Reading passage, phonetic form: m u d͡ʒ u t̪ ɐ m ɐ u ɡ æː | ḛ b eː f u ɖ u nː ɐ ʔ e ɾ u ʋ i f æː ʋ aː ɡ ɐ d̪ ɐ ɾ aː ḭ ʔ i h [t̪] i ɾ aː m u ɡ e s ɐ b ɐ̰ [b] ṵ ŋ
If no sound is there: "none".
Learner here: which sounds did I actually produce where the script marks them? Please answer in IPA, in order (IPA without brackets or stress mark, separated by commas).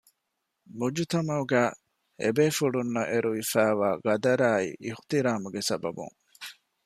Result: t̪, b